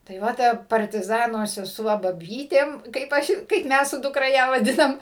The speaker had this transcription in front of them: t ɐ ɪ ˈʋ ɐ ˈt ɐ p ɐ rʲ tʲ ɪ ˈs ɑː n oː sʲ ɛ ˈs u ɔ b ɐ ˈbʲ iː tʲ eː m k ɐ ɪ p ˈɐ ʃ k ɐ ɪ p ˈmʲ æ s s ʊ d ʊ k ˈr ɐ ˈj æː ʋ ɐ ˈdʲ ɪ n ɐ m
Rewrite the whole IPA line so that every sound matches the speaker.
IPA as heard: t ɐ ɪ ˈʋ ɐ ˈt ɐ p ɐ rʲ tʲ ɪ ˈz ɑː n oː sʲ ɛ ˈs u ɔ b ɐ ˈbʲ iː tʲ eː m k ɐ ɪ p ˈɐ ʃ k ɐ ɪ p ˈmʲ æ s s ʊ d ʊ k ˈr ɐ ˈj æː ʋ ɐ ˈdʲ ɪ n ɐ m